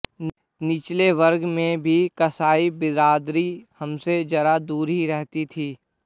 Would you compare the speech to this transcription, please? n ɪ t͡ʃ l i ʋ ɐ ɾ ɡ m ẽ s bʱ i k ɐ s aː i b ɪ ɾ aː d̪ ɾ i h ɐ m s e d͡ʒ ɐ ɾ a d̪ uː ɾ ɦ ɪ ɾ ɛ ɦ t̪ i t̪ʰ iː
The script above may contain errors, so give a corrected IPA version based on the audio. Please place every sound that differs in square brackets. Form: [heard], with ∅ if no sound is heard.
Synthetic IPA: n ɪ t͡ʃ l [e] ʋ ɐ ɾ ɡ m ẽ [∅] bʱ i k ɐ s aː i b ɪ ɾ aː d̪ ɾ i h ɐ m s e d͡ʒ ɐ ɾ a d̪ uː ɾ ɦ [i] ɾ ɛ ɦ t̪ i t̪ʰ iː